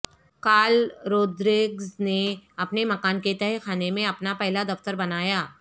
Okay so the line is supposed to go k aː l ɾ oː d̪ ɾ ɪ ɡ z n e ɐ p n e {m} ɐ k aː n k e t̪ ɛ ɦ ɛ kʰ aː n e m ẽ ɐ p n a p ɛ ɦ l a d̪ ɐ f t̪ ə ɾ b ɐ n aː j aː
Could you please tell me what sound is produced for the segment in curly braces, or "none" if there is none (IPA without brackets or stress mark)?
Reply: m